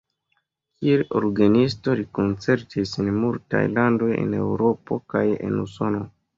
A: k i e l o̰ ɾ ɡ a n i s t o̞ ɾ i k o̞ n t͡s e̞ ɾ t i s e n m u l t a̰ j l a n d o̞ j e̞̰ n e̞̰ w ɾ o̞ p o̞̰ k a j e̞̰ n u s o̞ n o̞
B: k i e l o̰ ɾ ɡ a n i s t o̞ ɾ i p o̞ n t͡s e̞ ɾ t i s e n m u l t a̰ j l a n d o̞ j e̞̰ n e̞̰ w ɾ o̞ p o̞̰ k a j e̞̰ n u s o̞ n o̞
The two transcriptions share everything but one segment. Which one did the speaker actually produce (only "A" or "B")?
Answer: A